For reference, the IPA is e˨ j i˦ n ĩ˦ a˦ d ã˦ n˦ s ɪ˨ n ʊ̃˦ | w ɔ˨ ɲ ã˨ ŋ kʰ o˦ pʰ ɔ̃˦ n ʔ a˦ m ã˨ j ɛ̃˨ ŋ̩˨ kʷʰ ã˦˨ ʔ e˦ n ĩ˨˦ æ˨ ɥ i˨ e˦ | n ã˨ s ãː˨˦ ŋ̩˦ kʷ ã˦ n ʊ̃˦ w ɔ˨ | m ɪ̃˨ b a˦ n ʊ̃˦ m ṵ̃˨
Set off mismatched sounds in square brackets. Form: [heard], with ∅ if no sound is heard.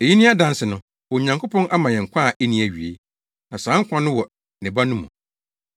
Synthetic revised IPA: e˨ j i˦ n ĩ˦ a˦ d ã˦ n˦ s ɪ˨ n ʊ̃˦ | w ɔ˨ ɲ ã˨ ŋ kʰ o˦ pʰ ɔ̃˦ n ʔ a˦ m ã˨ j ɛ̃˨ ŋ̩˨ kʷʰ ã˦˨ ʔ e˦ n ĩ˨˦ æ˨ ɥ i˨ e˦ | n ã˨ s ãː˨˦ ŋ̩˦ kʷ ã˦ n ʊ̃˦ w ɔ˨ | [n] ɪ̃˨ b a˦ n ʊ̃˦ m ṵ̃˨

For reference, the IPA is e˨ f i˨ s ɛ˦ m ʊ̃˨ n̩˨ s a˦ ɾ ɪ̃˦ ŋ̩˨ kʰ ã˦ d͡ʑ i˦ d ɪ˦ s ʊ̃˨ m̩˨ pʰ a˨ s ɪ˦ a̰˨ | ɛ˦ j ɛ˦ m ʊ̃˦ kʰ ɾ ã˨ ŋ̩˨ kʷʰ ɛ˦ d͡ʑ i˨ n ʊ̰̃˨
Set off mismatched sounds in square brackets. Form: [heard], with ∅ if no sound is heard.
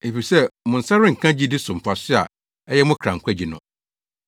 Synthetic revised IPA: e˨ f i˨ s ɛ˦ m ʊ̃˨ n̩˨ s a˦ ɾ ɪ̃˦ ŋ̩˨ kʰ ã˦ d͡ʑ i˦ d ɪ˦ s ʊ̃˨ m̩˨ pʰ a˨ s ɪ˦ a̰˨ | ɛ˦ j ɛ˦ m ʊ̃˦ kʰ ɾ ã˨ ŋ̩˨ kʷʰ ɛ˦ d͡ʑ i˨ n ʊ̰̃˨

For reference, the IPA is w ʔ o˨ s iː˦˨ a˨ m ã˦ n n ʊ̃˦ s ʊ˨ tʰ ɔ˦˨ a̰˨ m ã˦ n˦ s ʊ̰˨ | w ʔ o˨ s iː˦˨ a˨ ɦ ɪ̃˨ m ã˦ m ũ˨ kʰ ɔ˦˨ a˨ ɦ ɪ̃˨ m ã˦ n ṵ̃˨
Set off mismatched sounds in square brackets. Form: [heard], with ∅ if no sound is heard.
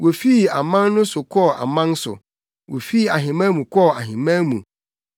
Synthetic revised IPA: w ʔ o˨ [f] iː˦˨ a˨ m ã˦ n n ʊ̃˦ s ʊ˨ [kʰ] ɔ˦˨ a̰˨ m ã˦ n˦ s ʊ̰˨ | w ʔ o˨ [f] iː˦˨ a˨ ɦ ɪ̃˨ m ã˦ m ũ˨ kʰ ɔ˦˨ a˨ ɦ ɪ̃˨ m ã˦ [m] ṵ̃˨

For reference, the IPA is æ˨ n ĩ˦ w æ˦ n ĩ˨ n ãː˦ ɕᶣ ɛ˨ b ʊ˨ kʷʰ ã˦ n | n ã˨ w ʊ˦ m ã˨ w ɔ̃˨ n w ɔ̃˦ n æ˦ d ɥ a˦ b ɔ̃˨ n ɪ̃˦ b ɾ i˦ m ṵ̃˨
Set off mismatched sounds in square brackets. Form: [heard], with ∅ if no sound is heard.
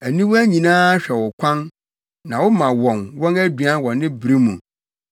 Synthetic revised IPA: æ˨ n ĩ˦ w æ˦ [ɲ] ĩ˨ n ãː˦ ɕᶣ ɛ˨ [w] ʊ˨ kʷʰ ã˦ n | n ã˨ w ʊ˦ m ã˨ w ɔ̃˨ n w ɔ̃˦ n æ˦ d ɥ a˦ [w] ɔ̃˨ n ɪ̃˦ b ɾ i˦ m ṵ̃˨

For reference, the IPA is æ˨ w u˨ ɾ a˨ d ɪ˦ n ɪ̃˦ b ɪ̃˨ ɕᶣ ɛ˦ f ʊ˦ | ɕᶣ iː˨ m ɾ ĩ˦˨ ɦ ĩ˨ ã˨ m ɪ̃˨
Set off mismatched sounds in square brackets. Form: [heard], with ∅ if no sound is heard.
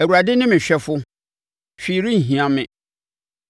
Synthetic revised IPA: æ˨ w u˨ ɾ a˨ d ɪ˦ n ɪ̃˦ [m] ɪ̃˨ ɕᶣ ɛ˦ f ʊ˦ | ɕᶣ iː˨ [∅] ɾ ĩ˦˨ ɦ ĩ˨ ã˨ m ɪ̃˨

